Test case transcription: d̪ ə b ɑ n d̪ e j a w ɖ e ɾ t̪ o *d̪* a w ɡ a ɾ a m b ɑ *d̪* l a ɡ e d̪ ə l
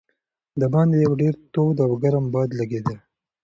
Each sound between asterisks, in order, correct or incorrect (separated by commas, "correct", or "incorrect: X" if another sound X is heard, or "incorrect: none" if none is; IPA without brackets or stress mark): correct, correct